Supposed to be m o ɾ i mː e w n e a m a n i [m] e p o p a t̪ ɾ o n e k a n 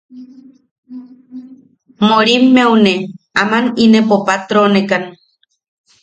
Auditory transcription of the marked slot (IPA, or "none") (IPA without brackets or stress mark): n